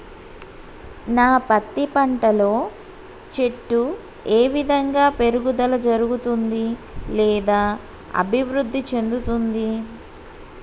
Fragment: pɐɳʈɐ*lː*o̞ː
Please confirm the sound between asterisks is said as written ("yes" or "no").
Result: no